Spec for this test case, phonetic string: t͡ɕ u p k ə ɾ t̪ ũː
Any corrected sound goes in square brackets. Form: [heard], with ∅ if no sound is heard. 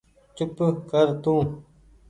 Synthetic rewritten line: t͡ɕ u p k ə ɾ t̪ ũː